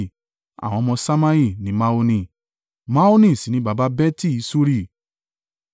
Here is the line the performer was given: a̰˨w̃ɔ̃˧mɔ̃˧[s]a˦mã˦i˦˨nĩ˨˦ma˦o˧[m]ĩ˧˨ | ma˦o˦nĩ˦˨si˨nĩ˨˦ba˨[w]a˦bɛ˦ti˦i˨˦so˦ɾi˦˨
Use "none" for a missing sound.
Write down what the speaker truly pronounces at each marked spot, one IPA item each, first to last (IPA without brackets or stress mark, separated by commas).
s, n, b